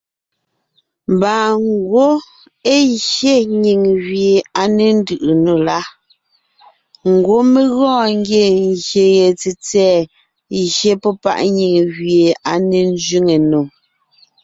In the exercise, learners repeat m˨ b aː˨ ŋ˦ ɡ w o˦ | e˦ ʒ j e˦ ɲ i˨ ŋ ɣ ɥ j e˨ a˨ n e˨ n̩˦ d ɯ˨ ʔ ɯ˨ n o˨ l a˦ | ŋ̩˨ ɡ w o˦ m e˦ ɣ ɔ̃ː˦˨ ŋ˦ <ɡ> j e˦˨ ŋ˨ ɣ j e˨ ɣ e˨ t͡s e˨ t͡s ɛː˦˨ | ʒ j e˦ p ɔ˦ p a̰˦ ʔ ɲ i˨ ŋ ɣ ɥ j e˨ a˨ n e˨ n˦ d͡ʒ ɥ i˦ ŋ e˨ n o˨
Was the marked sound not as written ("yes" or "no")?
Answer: no